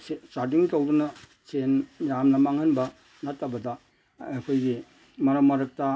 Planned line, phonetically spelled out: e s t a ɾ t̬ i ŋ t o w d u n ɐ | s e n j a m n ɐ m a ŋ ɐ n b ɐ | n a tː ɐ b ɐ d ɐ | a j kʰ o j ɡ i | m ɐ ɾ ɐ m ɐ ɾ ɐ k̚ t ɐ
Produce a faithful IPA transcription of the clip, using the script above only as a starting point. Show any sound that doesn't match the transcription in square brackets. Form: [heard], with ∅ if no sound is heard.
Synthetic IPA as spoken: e s t a ɾ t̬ i ŋ t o w d u n ɐ | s e n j a m n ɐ m a ŋ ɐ n b ɐ | n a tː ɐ b ɐ d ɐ | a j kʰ o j ɡ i | m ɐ ɾ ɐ m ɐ ɾ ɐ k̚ t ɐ